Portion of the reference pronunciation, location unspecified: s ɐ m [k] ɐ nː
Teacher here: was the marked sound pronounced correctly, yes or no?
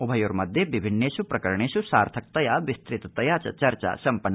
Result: no